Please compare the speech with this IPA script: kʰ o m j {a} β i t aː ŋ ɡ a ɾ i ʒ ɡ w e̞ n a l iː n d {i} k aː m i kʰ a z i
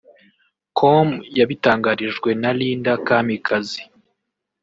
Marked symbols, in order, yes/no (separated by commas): yes, no